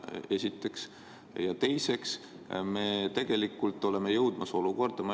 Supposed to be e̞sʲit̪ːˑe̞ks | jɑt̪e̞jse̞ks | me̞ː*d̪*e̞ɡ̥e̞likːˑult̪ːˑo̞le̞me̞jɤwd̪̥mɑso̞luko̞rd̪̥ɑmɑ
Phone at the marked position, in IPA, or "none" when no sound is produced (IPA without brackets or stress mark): t̪